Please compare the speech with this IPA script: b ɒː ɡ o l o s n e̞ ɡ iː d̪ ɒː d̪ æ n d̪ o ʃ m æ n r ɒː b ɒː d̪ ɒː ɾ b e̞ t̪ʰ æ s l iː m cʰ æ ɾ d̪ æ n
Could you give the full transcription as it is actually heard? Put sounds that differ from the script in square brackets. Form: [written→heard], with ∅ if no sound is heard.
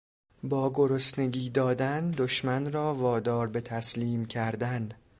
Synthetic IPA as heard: b ɒː ɡ o [l→ɾ] o s n e̞ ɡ iː d̪ ɒː d̪ æ n d̪ o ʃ m æ n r ɒː [b→v] ɒː d̪ ɒː ɾ b e̞ t̪ʰ æ s l iː m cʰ æ ɾ d̪ æ n